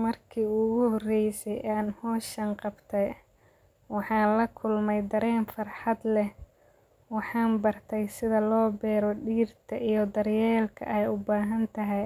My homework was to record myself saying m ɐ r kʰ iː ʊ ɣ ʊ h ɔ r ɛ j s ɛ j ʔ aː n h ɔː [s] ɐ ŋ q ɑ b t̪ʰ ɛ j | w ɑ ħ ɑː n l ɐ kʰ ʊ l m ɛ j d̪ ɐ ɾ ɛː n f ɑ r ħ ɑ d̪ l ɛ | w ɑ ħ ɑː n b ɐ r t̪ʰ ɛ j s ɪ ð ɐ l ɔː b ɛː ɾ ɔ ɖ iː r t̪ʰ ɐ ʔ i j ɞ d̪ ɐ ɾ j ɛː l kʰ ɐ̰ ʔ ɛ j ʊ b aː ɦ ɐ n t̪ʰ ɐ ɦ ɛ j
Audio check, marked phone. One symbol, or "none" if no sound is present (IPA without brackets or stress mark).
ʃ